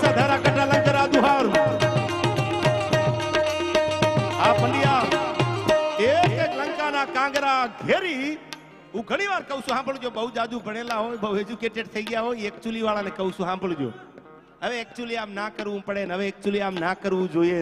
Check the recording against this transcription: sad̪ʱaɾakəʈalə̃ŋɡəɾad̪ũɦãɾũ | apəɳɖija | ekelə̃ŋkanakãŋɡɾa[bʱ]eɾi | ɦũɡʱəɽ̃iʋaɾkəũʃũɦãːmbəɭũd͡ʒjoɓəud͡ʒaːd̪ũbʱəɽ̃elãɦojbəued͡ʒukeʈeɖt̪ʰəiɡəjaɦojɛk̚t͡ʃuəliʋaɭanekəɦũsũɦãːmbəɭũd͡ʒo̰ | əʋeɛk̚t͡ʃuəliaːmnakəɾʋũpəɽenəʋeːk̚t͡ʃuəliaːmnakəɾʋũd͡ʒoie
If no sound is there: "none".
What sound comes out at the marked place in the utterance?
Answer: ɡʱ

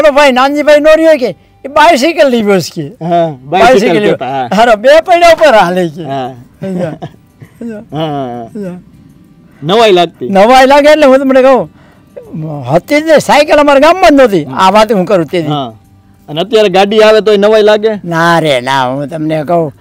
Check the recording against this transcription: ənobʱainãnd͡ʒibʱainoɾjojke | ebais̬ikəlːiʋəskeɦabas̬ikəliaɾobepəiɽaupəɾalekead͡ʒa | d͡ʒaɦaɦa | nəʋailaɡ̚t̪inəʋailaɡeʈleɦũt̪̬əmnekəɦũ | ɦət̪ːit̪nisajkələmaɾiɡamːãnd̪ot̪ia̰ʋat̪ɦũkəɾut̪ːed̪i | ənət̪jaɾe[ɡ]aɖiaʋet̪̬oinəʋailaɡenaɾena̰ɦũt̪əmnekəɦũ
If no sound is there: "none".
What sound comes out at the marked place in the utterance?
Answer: ɡ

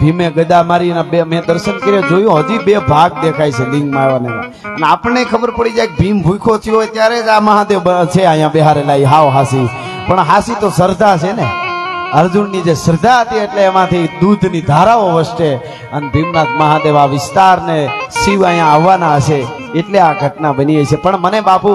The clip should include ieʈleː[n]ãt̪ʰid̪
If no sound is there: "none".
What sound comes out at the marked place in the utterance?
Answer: m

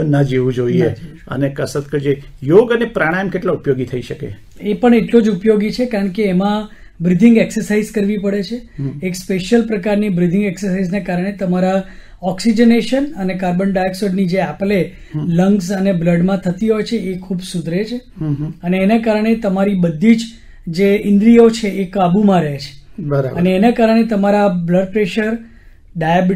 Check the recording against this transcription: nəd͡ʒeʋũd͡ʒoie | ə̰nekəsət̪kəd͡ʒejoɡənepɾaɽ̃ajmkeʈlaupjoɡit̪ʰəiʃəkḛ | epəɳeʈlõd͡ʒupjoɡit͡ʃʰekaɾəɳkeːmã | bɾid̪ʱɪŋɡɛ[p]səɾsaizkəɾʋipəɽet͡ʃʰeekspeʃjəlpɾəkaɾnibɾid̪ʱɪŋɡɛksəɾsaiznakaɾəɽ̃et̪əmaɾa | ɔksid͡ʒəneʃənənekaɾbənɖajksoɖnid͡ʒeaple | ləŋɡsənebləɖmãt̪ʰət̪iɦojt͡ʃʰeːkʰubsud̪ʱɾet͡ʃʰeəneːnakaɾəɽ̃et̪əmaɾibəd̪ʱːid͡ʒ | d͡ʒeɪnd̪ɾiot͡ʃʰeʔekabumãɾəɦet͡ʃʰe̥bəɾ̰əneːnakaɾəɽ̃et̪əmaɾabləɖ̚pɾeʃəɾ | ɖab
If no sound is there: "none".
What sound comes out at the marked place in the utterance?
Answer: k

